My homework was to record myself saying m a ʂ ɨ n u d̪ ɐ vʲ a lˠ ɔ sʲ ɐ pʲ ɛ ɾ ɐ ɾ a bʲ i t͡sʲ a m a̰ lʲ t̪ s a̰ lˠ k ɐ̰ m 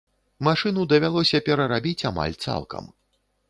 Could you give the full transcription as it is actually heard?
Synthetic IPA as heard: m a ʂ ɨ n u d̪ ɐ vʲ a lˠ ɔ sʲ ɐ pʲ ɛ ɾ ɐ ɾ a bʲ i t͡sʲ a m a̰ lʲ t̪ s a̰ lˠ k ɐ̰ m